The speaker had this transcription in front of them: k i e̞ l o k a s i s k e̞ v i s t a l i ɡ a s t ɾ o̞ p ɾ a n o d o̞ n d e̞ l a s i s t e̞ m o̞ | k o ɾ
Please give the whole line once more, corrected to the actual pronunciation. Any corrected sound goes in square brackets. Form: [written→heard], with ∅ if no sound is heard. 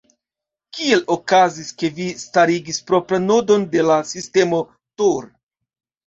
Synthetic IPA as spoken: k i e̞ l o k a [s→z] i s k e̞ v i s t a [l→ɾ] i ɡ [a→i] s [t→p] ɾ o̞ p ɾ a n o d o̞ n d e̞ l a s i s t e̞ m o̞ | [k→t] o ɾ